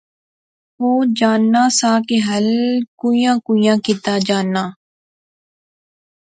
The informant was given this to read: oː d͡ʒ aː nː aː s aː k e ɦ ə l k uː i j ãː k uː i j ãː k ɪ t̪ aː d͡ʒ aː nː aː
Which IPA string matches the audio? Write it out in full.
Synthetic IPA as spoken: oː d͡ʒ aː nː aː s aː k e ɦ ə l k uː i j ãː k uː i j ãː k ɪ t̪ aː d͡ʒ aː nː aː

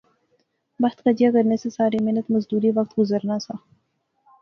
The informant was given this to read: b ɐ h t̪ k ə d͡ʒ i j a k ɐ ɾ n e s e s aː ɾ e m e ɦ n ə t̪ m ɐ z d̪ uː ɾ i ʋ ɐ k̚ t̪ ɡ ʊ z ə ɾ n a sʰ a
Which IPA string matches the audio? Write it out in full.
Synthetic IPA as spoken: b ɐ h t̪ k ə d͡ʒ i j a k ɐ ɾ n e s e s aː ɾ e m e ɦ n ə t̪ m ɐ z d̪ uː ɾ i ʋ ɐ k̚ t̪ ɡ ʊ z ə ɾ n a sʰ a

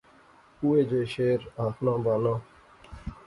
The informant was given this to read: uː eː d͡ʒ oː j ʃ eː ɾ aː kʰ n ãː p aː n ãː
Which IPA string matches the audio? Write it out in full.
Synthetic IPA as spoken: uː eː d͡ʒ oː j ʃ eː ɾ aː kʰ n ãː b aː n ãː

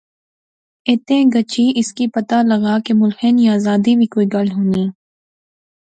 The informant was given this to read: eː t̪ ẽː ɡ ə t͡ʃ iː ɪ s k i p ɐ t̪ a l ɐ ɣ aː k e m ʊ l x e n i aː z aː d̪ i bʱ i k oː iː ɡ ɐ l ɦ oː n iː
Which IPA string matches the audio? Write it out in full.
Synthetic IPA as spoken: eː t̪ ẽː ɡ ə t͡ʃ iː ɪ s k i p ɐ t̪ a l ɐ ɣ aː k e m ʊ l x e n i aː z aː d̪ i bʱ i k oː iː ɡ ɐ l ɦ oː n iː

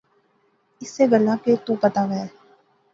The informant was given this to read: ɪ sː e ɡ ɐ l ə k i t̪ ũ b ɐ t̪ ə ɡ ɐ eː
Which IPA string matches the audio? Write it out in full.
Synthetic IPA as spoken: ɪ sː e ɡ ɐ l a k e t̪ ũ p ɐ t̪ a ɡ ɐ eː

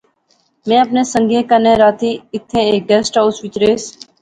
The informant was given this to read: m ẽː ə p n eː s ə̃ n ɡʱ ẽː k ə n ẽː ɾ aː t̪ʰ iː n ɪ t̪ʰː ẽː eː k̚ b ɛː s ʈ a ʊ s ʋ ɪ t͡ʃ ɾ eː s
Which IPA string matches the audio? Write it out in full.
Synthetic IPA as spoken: m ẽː ə p n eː s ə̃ ŋ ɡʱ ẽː k ə n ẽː ɾ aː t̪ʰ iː ɪ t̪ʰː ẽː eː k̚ ɡ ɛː s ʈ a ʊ s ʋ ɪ t͡ʃ ɾ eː s

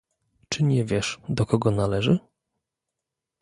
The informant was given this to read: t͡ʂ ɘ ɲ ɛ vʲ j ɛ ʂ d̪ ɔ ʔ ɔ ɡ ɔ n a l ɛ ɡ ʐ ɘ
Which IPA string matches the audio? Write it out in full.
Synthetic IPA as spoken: t͡ʂ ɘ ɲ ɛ vʲ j ɛ ʂ d̪ ɔ k ɔ ɡ ɔ n a l ɛ ʐ ɘ

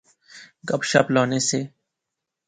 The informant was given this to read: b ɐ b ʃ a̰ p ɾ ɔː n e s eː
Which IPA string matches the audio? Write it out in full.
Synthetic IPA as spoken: ɡ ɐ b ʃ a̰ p l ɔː n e s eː

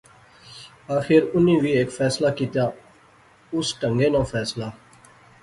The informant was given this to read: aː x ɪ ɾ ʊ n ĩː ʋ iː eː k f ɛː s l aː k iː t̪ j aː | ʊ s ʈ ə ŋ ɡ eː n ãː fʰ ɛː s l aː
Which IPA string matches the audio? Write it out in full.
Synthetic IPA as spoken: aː x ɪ ɾ ʊ n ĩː ʋ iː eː k f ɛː s l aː k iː t̪ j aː | ʊ s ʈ ə ŋ ɡ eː n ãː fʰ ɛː s l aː

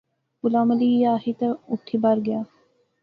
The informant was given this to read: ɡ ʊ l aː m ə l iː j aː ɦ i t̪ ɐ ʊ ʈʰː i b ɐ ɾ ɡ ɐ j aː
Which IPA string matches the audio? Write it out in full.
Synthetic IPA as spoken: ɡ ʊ l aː m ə l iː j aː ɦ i t̪ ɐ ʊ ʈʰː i b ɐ ɾ ɡ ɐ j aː

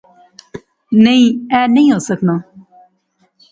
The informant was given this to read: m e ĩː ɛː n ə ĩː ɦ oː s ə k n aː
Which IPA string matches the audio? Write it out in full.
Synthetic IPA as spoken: n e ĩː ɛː n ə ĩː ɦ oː s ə k n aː

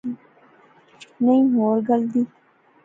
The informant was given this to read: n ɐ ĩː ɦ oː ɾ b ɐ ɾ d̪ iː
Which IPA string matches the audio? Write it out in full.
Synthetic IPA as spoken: n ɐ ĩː ɦ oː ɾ ɡ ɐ l d̪ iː

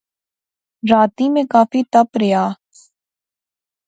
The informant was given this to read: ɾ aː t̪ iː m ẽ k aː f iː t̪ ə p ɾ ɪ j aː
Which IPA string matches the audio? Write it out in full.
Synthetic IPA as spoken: ɾ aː t̪ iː m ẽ k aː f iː t̪ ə p ɾ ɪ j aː

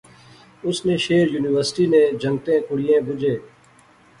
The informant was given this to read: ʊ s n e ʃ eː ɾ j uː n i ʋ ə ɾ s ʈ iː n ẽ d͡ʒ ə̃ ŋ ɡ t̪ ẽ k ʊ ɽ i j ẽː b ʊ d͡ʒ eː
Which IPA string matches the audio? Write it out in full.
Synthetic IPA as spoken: ʊ s n e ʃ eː ɾ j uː n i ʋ ə ɾ s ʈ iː n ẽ d͡ʒ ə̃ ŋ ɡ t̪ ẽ k ʊ ɽ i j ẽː b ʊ d͡ʒ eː

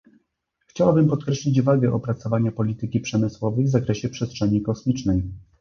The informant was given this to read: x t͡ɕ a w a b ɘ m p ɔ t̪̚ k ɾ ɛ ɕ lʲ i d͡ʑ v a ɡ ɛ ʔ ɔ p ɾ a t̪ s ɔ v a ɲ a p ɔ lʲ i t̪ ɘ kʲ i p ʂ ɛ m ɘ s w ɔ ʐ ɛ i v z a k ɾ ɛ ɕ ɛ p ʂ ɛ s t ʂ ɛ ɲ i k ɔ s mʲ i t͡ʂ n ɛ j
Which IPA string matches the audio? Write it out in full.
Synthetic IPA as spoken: x t͡ɕ a w a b ɘ m p ɔ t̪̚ k ɾ ɛ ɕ lʲ i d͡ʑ v a ɡ ɛ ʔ ɔ p ɾ a t̪ s ɔ v a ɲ a p ɔ lʲ i t̪ ɘ kʲ i p ʂ ɛ m ɘ s w ɔ v ɛ j v z a k ɾ ɛ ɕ ɛ p ʂ ɛ s t ʂ ɛ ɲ i k ɔ s mʲ i t͡ʂ n ɛ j

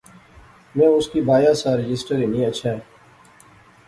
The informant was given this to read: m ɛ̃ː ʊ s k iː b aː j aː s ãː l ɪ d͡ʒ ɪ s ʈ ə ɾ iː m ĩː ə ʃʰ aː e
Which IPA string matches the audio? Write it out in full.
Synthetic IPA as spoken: m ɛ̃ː ʊ s k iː b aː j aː s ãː ɾ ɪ d͡ʒ ɪ s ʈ ə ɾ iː n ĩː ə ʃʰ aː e

